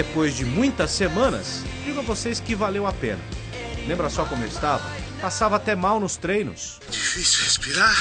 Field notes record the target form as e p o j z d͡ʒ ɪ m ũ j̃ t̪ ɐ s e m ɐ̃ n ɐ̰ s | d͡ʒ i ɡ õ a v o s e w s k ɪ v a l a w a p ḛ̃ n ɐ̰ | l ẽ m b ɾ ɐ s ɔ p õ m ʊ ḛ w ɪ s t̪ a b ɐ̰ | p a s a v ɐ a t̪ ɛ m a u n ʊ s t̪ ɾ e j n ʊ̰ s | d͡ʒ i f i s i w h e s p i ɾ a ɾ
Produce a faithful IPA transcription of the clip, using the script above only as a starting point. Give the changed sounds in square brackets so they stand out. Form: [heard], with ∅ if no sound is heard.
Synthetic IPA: e p o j z d͡ʒ ɪ m ũ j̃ t̪ ɐ s e m ɐ̃ n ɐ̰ s | d͡ʒ i ɡ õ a v o s e [∅] s k ɪ v a l [e] w a p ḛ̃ n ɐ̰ | l ẽ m b ɾ ɐ s ɔ [k] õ m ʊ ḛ w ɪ s t̪ a [v] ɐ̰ | p a s a v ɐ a t̪ ɛ m a [w] n ʊ s t̪ ɾ e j n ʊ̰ s | d͡ʒ i f i s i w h e s p i ɾ a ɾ